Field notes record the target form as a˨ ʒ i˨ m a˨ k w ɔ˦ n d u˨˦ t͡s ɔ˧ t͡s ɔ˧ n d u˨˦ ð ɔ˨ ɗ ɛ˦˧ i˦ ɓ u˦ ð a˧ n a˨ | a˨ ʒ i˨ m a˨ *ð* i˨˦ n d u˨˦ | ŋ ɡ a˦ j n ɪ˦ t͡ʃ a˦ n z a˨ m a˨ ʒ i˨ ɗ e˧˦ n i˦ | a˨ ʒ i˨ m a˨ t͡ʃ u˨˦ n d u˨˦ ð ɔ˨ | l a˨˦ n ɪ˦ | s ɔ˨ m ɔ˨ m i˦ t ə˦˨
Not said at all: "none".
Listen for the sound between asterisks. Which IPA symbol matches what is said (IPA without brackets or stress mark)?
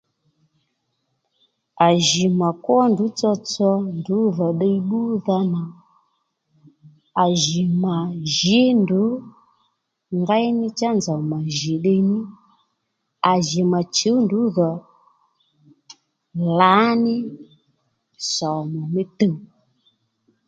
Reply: ʒ